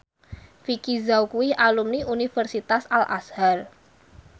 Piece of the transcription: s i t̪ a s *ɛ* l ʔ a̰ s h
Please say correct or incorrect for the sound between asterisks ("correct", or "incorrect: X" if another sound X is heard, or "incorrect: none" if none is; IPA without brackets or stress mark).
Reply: incorrect: a